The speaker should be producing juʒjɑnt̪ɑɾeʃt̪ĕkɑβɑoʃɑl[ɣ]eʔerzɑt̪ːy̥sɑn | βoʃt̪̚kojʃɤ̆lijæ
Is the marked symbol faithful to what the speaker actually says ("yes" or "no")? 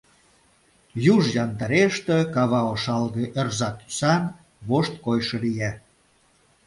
yes